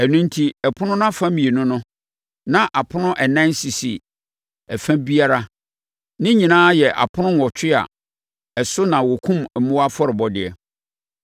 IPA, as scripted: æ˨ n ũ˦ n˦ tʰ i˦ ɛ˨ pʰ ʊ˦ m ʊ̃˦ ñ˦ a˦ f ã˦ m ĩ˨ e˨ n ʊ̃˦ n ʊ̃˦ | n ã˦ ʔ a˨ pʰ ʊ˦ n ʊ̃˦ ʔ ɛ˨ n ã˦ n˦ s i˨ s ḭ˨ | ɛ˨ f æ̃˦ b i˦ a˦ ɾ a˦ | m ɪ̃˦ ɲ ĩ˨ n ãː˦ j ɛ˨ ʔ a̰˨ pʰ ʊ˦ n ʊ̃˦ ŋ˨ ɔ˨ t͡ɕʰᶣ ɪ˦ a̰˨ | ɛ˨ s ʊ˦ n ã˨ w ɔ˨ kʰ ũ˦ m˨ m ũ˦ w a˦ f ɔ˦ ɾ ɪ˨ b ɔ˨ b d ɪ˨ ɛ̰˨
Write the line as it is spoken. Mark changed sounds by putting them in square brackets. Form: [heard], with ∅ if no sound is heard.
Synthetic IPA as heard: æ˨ n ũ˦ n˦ tʰ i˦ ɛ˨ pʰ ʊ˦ [n] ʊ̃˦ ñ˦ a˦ f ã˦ m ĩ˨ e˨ n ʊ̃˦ n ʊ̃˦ | n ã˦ ʔ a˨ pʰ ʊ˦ n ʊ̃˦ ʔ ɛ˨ n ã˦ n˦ s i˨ s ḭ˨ | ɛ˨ f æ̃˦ b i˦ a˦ ɾ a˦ | [n] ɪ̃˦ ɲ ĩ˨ n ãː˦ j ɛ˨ ʔ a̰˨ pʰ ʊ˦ n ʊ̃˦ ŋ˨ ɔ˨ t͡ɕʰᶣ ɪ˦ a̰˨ | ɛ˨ s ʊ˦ n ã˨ w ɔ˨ kʰ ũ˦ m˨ m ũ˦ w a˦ f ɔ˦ ɾ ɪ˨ b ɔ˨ [∅] d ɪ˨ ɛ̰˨